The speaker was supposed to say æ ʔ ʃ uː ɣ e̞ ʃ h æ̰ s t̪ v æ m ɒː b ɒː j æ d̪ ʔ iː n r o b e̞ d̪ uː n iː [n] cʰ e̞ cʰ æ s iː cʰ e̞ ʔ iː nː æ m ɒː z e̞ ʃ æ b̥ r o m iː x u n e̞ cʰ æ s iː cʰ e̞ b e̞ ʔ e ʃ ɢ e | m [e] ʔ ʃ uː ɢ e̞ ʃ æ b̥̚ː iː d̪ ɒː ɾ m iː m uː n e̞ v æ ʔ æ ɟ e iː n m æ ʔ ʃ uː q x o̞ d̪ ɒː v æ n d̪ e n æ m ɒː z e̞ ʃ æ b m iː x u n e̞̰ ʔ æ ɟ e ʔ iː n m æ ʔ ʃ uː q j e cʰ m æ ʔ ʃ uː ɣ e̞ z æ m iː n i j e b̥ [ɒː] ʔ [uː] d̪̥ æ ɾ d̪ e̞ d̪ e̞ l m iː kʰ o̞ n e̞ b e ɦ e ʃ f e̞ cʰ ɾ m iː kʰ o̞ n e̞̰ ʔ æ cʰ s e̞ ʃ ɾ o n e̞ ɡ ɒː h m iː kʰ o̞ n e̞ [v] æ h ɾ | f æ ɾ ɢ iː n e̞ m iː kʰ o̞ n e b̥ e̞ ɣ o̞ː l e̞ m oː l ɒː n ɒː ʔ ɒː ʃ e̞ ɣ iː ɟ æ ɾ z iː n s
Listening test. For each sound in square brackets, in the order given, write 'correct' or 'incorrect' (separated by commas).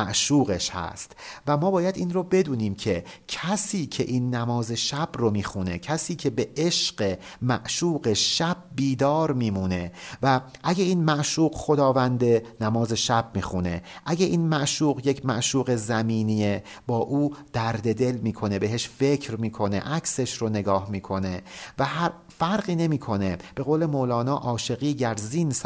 incorrect, incorrect, correct, correct, correct